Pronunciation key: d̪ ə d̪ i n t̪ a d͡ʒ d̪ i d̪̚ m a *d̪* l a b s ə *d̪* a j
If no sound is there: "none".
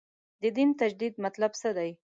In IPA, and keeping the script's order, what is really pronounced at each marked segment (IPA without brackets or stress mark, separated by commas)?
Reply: t̪, d̪